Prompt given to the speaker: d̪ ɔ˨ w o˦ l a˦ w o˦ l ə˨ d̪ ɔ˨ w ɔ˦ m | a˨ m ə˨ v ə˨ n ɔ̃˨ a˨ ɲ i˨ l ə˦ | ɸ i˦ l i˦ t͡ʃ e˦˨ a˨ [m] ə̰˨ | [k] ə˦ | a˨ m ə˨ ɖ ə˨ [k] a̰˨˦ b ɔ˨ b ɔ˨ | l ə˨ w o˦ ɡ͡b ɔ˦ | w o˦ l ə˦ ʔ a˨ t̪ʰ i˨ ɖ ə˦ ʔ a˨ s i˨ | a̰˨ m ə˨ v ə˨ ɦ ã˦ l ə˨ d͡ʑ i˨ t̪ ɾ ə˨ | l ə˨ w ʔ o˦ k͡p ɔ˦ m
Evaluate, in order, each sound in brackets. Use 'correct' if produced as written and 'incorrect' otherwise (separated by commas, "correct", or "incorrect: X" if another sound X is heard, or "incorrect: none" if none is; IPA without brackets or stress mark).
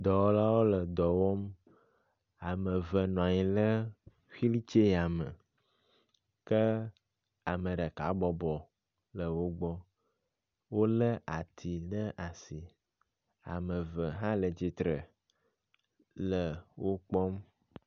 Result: correct, correct, correct